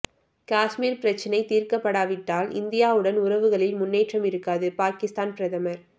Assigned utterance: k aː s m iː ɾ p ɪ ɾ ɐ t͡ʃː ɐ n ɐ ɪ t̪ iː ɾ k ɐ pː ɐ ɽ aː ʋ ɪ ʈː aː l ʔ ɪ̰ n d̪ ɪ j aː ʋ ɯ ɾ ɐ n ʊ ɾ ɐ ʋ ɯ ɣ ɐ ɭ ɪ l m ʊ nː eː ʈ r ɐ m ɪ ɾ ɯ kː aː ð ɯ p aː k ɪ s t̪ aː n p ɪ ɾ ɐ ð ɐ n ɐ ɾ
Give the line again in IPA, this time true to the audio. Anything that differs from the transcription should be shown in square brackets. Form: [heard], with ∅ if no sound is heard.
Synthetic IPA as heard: k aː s m iː ɾ p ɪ ɾ ɐ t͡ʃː ɐ n ɐ ɪ t̪ iː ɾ k ɐ pː ɐ ɽ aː ʋ ɪ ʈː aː l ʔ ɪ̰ n d̪ ɪ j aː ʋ ɯ [ɽ] ɐ n ʊ ɾ ɐ ʋ ɯ ɣ ɐ ɭ ɪ l m ʊ nː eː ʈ r ɐ m ɪ ɾ ɯ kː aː ð ɯ p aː k ɪ s t̪ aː n p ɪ ɾ ɐ ð ɐ [m] ɐ ɾ